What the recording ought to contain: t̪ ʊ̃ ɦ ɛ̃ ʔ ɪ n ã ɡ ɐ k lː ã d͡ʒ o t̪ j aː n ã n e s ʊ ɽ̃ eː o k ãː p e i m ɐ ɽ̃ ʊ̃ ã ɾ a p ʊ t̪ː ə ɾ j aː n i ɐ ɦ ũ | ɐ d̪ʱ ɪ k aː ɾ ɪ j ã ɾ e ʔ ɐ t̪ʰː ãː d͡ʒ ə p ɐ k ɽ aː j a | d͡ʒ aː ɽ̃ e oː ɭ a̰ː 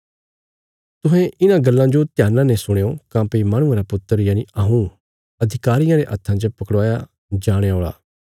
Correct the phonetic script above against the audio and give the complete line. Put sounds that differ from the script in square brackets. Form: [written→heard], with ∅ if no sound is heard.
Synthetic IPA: t̪ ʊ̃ ɦ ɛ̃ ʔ ɪ n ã ɡ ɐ [k→∅] lː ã d͡ʒ o t̪ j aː n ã n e s ʊ ɽ̃ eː o k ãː p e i m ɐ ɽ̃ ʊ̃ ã ɾ a p ʊ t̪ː ə ɾ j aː n i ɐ ɦ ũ | ɐ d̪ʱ ɪ k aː ɾ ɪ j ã ɾ e ʔ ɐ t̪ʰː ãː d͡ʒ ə p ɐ k ɽ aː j a | d͡ʒ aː ɽ̃ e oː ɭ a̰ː